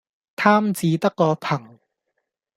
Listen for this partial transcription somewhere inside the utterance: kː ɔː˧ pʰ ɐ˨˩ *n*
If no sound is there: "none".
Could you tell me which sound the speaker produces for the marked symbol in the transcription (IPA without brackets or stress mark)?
ŋ